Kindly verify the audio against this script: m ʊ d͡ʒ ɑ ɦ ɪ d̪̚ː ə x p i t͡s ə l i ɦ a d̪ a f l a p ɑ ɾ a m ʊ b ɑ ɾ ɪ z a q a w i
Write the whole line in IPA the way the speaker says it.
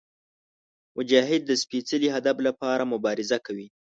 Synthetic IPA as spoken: m ʊ d͡ʒ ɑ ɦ ɪ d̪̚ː ə s p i t͡s ə l i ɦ a d̪ a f l a p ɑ ɾ a m ʊ b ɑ ɾ ɪ z a k a w i